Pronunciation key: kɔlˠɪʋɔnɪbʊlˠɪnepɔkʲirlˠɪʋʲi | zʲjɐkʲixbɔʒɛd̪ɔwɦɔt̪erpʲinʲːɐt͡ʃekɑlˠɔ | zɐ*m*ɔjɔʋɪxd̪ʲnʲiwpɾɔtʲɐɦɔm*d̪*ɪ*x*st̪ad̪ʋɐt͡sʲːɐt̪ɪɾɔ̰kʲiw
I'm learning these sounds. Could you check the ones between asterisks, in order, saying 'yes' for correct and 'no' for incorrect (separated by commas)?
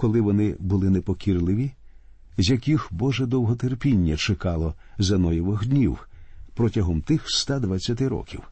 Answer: no, no, yes